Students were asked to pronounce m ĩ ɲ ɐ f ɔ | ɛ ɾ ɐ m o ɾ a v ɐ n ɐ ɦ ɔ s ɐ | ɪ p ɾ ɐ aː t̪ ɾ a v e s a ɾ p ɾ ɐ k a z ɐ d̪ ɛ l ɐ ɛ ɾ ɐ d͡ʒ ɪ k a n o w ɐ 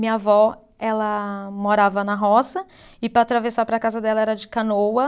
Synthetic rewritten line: m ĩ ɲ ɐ v ɔ | ɛ l ɐ m o ɾ a v ɐ n ɐ ɦ ɔ s ɐ | ɪ p ɾ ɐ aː t̪ ɾ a v e s a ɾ p ɾ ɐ k a z ɐ d̪ ɛ l ɐ ɛ ɾ ɐ d͡ʒ ɪ k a n o w ɐ